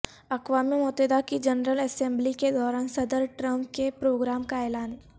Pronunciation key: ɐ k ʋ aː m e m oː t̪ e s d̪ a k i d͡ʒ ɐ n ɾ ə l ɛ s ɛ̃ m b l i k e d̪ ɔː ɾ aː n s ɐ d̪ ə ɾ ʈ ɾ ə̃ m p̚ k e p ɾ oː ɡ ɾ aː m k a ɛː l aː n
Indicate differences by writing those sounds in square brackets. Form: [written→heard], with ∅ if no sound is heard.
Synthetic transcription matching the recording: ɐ k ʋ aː m [e→i] m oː t̪ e [s→∅] d̪ a k i d͡ʒ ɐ n ɾ ə l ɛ s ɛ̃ m b l i k e d̪ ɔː ɾ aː n s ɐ d̪ ə ɾ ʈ ɾ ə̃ m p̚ k e p ɾ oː ɡ ɾ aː m k a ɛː l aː n